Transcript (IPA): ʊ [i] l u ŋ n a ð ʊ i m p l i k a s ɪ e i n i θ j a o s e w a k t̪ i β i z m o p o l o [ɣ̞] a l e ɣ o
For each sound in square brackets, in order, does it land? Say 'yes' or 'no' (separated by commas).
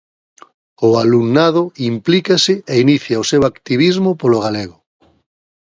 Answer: no, yes